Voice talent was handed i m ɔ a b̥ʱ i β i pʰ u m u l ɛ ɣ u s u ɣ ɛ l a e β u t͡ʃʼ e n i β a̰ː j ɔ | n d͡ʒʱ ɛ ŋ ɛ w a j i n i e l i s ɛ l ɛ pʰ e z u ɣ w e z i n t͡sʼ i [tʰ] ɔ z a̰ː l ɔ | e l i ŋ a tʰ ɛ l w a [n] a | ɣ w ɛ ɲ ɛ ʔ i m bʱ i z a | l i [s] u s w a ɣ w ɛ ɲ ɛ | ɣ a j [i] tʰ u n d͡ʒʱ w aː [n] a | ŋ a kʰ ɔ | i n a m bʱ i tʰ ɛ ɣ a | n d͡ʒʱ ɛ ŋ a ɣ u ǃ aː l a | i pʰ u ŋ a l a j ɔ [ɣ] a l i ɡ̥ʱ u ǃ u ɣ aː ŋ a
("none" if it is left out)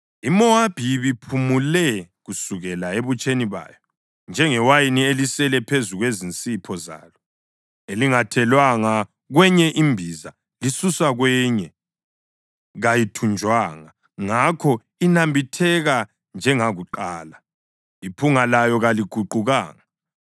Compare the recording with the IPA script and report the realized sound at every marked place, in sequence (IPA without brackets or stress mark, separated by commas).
pʰ, ŋ, s, i, ŋ, ɣ